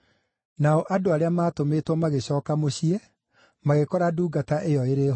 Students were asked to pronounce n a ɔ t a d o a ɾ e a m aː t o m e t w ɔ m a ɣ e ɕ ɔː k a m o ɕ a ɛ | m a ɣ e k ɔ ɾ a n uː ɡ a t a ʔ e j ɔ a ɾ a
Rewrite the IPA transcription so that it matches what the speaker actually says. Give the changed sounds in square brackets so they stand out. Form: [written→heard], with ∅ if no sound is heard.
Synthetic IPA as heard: n a ɔ [t→ʔ] a d o a ɾ e a m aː t o m e t w ɔ m a ɣ e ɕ ɔː k a m o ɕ [a→i] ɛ | m a ɣ e k ɔ ɾ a [n→d] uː ɡ a t a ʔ e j ɔ [a→e] ɾ [a→e]